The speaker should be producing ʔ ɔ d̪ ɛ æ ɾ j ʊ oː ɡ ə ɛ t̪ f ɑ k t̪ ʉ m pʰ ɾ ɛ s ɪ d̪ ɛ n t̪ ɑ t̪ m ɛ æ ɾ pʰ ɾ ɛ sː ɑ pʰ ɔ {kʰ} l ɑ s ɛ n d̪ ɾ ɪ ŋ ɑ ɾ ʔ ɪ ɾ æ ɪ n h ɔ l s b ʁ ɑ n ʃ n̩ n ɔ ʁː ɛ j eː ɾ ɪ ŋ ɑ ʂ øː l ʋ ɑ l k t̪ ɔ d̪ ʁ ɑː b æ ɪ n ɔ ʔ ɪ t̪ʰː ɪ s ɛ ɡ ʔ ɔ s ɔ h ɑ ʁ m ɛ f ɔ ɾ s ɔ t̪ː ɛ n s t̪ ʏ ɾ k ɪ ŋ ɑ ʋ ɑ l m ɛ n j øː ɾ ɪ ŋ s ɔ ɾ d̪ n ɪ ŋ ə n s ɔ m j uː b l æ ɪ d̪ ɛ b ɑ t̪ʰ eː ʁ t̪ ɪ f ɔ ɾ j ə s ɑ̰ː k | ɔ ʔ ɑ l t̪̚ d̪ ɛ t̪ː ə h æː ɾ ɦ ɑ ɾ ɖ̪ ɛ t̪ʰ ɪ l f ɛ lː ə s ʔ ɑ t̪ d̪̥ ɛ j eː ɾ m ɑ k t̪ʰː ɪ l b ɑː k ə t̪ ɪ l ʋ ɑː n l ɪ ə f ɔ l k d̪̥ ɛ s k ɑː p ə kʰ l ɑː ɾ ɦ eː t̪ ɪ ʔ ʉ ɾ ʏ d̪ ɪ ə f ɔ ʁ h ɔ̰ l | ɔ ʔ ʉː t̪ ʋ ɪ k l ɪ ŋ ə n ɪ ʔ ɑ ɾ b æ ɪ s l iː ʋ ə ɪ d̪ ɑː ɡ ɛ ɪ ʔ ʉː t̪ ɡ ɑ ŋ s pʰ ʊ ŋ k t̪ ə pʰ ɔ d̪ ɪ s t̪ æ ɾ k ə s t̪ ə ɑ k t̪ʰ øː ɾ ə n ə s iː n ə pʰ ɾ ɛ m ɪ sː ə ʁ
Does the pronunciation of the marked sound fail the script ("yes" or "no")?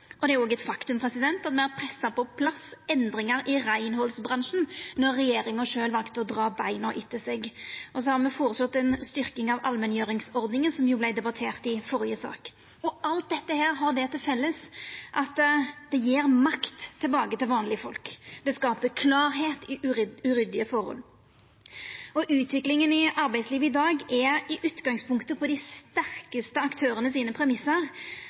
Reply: yes